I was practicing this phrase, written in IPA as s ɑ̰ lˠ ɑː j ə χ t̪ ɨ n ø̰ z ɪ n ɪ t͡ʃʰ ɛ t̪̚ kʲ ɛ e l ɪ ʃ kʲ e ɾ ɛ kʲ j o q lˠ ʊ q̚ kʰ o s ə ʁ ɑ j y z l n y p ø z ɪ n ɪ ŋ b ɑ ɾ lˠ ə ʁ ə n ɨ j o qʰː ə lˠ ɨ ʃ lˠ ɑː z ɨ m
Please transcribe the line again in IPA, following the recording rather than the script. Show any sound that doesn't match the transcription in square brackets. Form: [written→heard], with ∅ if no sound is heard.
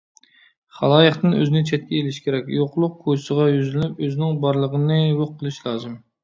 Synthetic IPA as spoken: [s→χ] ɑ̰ lˠ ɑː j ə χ t̪ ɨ n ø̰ z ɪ n ɪ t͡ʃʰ ɛ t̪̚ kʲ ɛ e l ɪ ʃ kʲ e ɾ ɛ kʲ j o q lˠ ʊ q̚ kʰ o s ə ʁ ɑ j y z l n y p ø z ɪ n ɪ ŋ b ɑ ɾ lˠ ə ʁ ə n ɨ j o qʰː ə lˠ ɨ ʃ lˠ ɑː z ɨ m